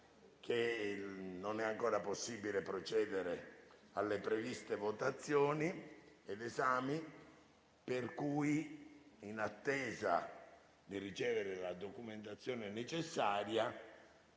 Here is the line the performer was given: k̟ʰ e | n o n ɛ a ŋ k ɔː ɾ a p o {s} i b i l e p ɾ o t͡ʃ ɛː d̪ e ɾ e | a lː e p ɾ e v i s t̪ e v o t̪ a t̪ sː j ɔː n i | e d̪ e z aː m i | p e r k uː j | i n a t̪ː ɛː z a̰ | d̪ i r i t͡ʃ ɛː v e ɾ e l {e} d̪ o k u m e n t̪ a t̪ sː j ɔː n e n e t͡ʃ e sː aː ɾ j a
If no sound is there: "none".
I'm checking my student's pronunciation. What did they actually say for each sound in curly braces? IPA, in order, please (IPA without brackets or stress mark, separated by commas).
sː, a